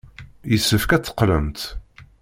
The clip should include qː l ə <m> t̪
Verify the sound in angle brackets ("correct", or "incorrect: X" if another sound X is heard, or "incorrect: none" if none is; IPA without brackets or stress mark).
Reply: correct